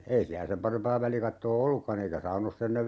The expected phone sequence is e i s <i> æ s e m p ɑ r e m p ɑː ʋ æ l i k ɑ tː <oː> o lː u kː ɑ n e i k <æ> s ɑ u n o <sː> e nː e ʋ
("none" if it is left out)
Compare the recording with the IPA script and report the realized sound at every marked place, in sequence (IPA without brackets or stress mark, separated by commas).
i, oː, æ, sː